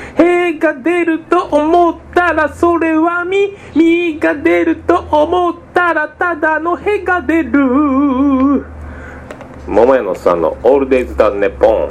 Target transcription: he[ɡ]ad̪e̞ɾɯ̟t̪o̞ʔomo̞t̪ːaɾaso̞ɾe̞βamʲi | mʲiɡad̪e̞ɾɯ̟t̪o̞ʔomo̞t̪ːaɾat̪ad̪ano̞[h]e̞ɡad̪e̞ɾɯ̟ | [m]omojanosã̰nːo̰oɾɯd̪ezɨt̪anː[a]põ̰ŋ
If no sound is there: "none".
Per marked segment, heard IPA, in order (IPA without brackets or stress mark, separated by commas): ɡ, h, m, e